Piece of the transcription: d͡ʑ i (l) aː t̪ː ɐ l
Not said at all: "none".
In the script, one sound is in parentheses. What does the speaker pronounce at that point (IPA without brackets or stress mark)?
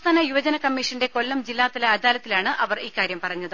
lː